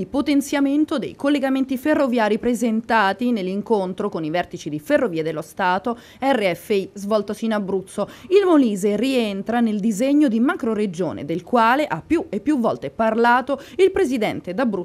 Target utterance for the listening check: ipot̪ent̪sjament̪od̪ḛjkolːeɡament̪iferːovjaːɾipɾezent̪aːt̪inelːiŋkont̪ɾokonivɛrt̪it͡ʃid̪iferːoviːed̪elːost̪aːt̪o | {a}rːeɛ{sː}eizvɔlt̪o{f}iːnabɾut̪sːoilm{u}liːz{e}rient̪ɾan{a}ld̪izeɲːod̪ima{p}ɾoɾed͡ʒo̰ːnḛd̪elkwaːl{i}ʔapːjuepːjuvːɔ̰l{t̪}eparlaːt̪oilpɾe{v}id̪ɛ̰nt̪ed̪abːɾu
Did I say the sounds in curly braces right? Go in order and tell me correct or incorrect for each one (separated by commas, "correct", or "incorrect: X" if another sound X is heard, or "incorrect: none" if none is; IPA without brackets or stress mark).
incorrect: ɛ, incorrect: fː, incorrect: s, incorrect: o, correct, incorrect: e, incorrect: k, incorrect: e, correct, incorrect: z